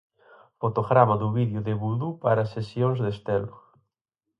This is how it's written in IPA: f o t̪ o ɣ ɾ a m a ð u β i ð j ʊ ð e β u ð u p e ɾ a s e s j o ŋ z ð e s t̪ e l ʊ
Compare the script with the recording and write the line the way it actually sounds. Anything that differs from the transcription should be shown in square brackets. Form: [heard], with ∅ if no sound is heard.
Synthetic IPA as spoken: f o t̪ o ɣ ɾ a m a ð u β i ð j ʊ ð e β u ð u p [a] ɾ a s e s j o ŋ z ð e s t̪ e l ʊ